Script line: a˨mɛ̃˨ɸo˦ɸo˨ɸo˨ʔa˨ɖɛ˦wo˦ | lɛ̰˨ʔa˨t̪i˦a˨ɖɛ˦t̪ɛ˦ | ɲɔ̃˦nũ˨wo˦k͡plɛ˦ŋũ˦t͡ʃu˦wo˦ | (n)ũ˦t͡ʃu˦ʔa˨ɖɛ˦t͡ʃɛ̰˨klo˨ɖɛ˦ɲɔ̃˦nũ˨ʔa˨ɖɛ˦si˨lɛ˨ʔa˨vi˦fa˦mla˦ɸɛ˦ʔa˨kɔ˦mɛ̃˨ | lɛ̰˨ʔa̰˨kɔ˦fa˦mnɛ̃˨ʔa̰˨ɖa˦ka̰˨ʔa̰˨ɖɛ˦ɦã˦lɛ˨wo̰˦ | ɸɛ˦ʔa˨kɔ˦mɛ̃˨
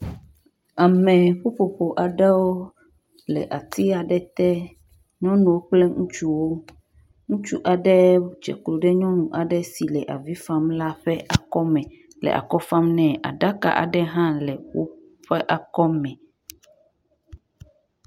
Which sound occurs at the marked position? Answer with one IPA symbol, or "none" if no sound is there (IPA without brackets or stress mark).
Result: ŋ